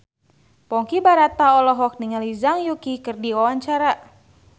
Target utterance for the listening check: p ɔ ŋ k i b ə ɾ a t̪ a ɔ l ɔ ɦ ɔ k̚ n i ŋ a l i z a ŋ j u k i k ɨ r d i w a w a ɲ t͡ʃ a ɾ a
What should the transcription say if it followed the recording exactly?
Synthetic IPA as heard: p ɔ ŋ k i b a ɾ a t̪ a ɔ l ɔ ɦ ɔ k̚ n i ŋ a l i z a ŋ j u k i k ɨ r d i w a w a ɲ t͡ʃ a ɾ a